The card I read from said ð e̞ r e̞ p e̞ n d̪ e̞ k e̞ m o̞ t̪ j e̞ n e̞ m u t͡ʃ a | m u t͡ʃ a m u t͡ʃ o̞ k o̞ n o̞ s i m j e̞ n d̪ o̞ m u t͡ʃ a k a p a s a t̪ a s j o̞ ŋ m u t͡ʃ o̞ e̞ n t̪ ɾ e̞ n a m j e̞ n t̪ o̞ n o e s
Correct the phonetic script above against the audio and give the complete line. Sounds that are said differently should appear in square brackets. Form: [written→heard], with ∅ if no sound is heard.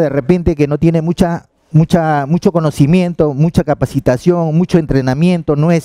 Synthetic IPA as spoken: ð e̞ r e̞ p e̞ n [d̪→t̪] e̞ k e̞ [m→n] o̞ t̪ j e̞ n e̞ m u t͡ʃ a | m u t͡ʃ a m u t͡ʃ o̞ k o̞ n o̞ s i m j e̞ n [d̪→t̪] o̞ m u t͡ʃ a k a p a s [a→i] t̪ a s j o̞ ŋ m u t͡ʃ o̞ e̞ n t̪ ɾ e̞ n a m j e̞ n t̪ o̞ n o e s